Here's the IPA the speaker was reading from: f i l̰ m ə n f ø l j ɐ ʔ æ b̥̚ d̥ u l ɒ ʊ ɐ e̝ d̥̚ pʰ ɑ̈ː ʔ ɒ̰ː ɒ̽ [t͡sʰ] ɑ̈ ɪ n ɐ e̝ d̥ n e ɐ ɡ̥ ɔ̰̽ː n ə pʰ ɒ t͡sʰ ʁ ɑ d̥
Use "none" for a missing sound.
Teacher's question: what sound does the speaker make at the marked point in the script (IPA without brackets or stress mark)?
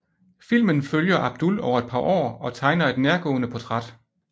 t͡sʰ